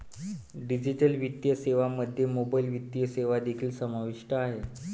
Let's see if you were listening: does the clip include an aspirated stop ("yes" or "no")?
yes